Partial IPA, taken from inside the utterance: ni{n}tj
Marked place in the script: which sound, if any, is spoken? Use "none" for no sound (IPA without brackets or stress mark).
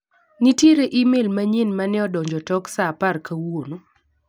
none